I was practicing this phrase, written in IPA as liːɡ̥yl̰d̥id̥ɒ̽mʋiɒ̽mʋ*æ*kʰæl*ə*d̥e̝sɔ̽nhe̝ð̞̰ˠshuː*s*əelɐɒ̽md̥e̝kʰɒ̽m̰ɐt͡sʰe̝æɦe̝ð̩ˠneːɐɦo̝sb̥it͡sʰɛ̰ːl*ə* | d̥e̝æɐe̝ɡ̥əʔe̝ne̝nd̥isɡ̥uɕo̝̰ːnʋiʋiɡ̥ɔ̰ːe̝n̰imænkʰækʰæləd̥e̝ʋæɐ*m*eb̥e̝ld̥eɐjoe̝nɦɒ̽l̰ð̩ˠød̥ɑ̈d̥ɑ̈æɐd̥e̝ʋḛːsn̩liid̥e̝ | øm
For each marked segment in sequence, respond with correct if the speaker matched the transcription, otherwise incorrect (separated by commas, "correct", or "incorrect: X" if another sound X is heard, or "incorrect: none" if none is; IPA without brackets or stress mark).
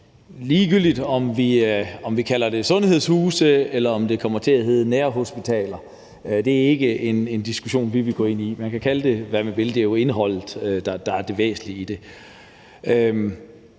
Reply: incorrect: i, incorrect: ɐ, correct, incorrect: ɐ, correct